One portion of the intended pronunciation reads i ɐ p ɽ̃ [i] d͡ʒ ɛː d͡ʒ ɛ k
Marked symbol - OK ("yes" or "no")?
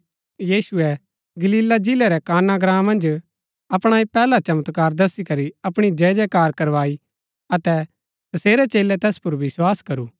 yes